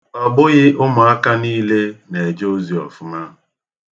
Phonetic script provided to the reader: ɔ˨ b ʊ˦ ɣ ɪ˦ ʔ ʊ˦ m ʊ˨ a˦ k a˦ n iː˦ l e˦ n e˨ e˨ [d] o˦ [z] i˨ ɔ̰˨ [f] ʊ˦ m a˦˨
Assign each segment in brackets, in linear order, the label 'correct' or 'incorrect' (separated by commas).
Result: incorrect, correct, correct